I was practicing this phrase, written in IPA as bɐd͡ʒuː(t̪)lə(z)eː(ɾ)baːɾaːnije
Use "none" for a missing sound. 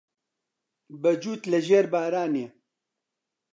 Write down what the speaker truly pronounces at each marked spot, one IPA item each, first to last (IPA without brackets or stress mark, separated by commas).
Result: t̪, ʒ, ɾ